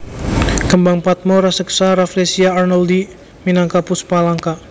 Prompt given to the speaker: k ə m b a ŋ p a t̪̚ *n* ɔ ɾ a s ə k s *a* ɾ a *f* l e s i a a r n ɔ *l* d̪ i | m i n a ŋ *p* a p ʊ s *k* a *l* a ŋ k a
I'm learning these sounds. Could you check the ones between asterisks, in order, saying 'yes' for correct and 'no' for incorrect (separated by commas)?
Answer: no, yes, yes, yes, no, no, yes